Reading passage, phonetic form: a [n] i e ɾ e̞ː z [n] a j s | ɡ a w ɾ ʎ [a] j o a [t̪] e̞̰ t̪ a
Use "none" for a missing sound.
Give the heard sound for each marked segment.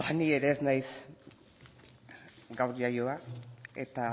n, n, a, none

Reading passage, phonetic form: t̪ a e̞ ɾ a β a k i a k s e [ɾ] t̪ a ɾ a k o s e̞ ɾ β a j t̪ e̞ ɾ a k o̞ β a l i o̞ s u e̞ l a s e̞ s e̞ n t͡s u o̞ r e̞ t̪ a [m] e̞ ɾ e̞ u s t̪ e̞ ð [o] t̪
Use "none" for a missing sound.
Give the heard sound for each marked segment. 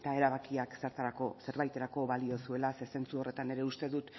ɾ, n, u

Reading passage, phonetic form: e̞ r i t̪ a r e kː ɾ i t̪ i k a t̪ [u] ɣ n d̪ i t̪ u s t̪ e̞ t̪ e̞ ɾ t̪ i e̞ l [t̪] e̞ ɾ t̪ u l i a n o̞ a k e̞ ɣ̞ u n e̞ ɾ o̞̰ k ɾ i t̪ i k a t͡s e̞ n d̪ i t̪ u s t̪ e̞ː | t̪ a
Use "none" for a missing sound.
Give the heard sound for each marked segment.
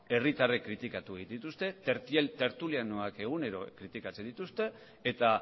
u, t̪

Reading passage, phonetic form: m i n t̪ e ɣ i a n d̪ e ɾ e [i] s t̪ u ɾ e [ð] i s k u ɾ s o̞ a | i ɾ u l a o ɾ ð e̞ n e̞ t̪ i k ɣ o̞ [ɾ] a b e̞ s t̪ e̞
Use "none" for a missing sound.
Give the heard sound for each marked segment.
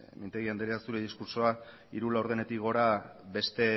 a, ð, ɾ

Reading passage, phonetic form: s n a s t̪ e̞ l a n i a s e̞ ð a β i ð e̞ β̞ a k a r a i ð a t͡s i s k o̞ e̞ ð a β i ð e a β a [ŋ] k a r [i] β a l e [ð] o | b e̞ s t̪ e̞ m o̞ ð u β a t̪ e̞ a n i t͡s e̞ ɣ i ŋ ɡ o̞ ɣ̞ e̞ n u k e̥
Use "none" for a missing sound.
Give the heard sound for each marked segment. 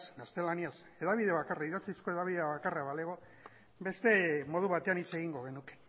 none, a, ɣ

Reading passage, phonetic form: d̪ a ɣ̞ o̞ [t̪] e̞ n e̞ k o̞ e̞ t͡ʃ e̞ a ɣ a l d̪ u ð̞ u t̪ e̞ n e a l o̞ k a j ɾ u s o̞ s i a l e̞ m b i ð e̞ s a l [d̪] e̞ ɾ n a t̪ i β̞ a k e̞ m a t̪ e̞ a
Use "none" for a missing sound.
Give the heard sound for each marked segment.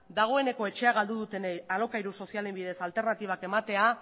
none, t̪

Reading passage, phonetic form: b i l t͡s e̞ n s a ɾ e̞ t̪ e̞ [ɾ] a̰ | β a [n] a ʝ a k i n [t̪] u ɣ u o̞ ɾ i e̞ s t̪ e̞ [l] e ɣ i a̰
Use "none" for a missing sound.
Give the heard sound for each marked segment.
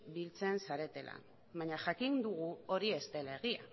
l, ɲ, d̪, l

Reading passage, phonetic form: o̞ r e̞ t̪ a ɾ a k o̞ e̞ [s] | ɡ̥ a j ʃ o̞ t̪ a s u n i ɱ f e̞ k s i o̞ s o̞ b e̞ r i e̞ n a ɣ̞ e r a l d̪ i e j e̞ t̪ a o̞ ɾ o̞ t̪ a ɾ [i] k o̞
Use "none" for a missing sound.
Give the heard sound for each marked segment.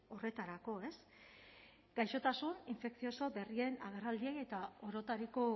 s, i

